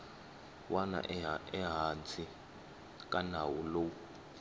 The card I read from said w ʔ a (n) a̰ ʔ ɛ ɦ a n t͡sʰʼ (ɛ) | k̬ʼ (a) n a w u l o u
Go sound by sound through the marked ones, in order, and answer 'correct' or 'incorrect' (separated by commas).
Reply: correct, incorrect, correct